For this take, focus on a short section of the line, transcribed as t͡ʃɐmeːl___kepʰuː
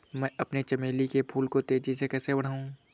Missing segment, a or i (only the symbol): i